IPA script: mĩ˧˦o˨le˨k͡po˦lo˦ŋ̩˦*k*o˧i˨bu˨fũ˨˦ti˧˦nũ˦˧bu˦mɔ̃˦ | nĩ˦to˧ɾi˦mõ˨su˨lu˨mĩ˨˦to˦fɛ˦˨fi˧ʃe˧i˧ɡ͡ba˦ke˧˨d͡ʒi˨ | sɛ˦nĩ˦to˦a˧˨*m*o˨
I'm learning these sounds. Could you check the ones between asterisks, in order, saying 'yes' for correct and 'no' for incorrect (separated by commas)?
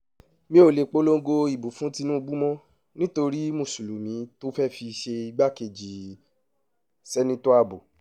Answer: no, no